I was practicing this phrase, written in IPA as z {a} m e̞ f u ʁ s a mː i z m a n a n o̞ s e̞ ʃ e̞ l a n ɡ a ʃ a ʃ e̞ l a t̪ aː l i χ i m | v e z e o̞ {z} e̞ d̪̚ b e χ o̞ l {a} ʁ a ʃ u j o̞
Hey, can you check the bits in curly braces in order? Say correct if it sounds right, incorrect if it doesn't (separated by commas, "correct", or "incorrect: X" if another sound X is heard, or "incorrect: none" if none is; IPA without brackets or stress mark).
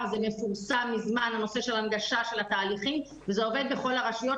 incorrect: e, incorrect: v, correct